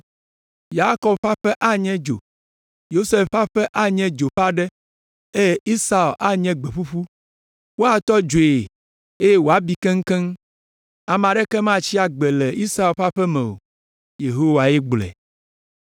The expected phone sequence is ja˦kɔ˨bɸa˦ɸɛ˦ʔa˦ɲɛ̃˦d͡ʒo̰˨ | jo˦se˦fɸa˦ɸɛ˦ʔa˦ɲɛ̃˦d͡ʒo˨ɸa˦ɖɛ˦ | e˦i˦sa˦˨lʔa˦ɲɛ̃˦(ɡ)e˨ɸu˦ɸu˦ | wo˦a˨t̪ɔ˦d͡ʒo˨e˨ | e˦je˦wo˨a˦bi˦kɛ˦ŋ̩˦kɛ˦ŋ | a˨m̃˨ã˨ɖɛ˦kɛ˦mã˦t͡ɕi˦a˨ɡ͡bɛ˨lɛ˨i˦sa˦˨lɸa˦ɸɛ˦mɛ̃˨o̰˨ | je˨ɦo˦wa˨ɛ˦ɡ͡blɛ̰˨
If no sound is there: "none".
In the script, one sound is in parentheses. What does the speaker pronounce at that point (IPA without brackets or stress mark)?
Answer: ɡ͡b